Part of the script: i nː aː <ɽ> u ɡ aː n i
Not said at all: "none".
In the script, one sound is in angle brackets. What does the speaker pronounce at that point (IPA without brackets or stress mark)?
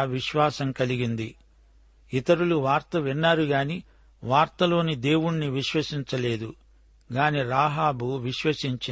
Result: ɾ